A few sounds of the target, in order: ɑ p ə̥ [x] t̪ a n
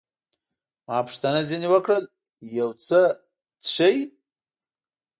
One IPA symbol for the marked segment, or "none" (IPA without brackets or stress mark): ʂ